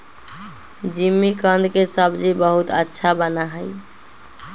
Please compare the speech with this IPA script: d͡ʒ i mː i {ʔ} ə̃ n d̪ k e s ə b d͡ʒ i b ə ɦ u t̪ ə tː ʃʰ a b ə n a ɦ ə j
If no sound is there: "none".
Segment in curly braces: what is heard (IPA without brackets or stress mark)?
k